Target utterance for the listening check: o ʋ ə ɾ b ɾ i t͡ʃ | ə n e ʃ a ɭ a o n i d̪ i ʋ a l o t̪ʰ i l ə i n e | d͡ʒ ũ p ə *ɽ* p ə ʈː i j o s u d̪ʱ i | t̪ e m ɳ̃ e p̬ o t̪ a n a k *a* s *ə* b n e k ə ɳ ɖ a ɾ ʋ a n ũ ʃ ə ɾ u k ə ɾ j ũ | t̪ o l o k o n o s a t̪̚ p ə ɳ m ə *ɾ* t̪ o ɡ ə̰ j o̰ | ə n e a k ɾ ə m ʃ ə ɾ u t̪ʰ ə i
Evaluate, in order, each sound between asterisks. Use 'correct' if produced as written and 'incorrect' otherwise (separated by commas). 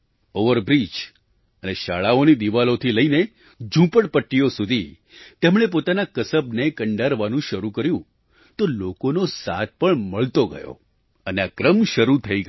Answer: correct, incorrect, correct, incorrect